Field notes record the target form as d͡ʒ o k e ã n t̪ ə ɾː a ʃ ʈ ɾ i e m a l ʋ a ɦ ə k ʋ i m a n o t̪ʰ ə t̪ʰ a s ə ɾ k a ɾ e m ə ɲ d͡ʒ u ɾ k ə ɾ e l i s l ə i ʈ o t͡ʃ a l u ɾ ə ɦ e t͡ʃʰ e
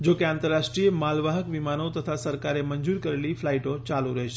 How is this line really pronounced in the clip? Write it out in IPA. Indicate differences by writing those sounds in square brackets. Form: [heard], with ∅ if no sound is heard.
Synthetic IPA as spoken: d͡ʒ o k e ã n t̪ ə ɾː a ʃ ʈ ɾ i e m a l ʋ a ɦ ə k ʋ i m a n o [t̪] ə t̪ʰ a s ə ɾ k a ɾ e m ə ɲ d͡ʒ u ɾ k ə ɾ e l i [f] l [a] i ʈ o t͡ʃ a l u ɾ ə ɦ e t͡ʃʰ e